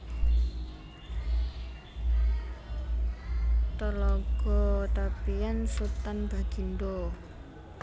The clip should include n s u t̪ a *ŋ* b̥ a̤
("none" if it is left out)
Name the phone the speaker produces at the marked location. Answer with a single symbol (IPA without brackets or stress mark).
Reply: n